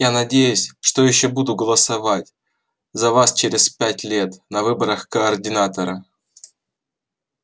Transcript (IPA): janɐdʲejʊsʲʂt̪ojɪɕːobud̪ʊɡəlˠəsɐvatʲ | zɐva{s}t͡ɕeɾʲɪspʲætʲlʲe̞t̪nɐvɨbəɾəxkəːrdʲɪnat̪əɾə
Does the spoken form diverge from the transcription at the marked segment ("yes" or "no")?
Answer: no